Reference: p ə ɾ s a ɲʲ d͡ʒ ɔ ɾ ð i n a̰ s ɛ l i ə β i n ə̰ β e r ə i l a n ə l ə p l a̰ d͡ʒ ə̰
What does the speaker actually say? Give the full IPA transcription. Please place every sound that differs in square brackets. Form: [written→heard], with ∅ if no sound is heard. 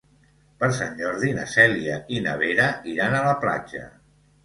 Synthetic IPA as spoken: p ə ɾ s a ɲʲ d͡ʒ ɔ ɾ ð i n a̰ s ɛ l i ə [β→∅] i n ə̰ β e [r→ɾ] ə i [l→ɾ] a n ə l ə p l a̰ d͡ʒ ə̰